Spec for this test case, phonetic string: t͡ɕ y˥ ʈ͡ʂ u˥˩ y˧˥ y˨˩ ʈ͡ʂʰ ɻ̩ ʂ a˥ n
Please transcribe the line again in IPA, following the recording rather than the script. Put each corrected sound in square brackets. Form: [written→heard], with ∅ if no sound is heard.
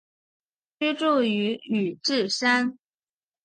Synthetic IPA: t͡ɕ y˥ ʈ͡ʂ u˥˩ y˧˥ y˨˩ [ʈ͡ʂʰ→ʈ͡ʂ] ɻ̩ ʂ a˥ n